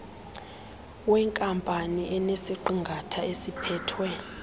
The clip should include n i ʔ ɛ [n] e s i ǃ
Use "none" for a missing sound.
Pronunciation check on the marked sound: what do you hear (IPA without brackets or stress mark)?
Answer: n